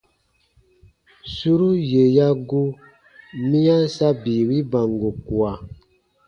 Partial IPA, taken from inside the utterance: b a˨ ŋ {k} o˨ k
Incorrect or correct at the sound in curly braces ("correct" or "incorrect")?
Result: incorrect